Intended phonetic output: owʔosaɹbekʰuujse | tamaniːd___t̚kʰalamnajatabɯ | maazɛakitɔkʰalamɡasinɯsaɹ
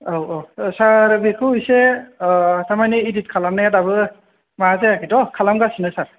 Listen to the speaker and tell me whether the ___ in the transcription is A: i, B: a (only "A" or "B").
A